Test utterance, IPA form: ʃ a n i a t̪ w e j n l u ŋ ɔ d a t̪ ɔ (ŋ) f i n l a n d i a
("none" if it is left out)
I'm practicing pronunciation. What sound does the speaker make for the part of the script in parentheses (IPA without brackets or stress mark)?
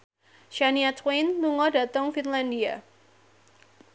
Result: ŋ